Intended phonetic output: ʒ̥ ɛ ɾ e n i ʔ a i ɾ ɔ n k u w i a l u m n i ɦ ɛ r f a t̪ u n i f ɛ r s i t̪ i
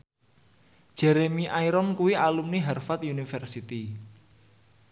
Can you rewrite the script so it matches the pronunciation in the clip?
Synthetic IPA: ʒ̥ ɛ ɾ e m i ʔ a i ɾ ɔ n k u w i a l u m n i ɦ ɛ r f a t̪ u n i f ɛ r s i t̪ i